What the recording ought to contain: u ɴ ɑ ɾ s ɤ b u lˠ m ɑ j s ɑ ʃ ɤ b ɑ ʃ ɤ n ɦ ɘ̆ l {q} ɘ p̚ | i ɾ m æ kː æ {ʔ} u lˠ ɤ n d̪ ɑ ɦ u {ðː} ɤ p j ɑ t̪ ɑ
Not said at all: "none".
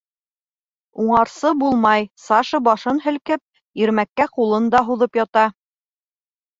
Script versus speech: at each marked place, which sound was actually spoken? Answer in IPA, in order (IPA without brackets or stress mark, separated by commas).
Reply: k, q, ð